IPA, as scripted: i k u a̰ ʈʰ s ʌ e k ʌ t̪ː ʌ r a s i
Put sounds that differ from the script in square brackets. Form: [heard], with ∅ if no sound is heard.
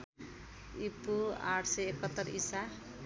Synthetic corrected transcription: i [p] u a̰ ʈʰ s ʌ e k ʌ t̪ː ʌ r [i] s [a]